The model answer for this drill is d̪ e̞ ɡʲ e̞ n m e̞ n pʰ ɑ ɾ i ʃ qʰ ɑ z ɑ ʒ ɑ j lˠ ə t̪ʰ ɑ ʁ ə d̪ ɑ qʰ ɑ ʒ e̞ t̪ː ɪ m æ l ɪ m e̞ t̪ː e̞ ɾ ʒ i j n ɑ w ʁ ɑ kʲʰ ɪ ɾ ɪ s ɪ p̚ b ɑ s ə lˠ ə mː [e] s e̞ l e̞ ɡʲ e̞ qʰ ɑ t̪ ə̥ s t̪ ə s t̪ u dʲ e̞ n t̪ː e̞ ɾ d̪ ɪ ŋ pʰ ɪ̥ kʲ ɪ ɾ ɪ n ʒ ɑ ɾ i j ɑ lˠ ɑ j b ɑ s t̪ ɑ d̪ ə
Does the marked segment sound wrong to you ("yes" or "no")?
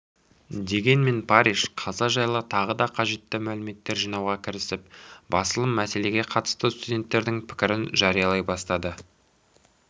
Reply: yes